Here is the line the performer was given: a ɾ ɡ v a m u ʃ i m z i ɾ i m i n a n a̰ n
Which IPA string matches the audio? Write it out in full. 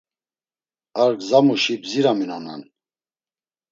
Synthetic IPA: a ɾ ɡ z a m u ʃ i b z i ɾ a m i n a n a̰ n